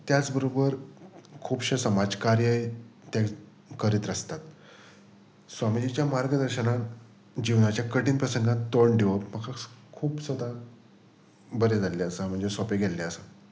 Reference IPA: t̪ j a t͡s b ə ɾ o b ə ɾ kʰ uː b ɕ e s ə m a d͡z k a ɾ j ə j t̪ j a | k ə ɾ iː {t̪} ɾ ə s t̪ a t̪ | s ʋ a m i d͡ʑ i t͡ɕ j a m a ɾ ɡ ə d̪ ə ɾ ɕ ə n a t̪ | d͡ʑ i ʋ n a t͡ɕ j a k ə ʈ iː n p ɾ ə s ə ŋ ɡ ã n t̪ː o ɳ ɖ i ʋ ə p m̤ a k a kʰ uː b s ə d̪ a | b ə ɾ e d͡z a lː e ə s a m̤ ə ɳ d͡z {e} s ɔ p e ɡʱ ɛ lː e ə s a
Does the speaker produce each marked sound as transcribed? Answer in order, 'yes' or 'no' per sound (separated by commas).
yes, yes